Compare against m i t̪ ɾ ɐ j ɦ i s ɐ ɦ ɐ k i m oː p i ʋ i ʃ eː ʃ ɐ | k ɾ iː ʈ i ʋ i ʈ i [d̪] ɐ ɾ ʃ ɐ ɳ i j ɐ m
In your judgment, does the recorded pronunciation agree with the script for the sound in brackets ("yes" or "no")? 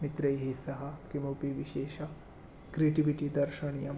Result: yes